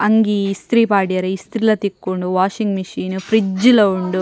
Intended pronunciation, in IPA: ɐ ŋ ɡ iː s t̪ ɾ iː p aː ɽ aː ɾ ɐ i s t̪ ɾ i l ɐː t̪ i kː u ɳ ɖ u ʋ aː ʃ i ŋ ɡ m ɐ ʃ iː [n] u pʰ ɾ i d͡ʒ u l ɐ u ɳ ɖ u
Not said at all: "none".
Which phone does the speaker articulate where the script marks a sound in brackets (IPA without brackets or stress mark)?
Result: n